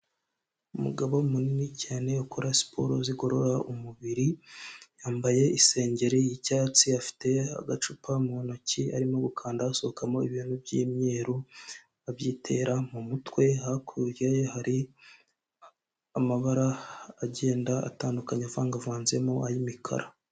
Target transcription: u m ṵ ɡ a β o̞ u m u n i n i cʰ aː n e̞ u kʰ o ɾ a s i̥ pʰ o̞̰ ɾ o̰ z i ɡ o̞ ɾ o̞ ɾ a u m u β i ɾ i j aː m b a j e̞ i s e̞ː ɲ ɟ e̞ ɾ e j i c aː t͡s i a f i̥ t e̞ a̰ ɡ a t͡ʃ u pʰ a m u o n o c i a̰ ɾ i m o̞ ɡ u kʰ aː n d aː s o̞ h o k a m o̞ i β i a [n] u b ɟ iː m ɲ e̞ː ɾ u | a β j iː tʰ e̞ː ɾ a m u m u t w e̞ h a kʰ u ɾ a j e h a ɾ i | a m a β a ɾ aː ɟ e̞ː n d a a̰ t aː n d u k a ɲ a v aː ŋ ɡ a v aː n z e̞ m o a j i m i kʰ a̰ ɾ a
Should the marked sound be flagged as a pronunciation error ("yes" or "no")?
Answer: no